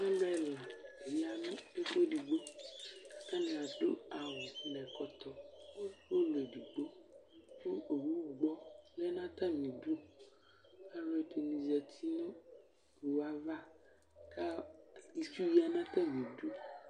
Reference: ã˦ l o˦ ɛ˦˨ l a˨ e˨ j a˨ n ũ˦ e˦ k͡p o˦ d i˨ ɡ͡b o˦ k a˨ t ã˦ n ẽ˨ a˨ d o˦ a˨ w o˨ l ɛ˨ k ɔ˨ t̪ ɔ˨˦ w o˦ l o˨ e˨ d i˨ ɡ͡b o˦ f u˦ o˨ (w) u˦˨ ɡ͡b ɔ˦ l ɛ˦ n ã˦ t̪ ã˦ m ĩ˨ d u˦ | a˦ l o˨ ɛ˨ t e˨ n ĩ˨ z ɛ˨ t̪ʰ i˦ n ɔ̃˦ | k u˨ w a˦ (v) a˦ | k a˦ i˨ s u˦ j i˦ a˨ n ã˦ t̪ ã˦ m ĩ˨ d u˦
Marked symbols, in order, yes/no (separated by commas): yes, yes